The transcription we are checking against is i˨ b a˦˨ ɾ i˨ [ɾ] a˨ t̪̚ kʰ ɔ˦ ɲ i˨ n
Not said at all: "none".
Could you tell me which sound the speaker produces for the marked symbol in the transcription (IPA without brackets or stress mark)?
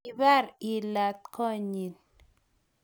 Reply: l